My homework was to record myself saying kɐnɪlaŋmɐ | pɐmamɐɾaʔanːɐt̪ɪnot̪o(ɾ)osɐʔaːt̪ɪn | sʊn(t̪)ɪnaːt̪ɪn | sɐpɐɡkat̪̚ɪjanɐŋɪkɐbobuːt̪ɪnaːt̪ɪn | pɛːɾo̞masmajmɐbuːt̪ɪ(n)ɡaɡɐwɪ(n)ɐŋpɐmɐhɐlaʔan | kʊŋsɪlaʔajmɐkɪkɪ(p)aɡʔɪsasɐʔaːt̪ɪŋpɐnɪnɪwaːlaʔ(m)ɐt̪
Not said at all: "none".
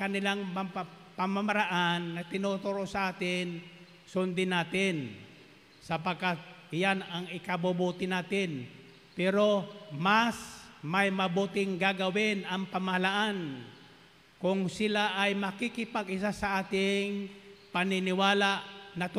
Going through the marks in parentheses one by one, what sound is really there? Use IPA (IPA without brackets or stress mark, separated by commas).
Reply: ɾ, d̪, ŋ, n, p, n